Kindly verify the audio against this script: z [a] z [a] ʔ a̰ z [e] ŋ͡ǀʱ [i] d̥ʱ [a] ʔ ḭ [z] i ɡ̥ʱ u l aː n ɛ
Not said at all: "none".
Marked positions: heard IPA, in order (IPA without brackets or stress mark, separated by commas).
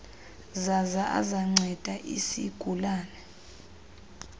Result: a, a, a, ɛ, a, s